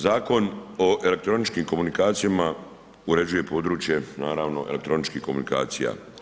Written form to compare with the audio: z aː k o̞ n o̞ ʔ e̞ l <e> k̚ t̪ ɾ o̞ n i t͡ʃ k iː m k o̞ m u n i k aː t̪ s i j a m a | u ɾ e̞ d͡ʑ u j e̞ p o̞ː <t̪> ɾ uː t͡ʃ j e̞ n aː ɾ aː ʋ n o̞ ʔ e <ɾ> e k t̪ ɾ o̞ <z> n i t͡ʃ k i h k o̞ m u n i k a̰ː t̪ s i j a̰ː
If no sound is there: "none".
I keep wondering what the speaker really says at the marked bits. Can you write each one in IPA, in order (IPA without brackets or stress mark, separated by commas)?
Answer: e, d̪, l, none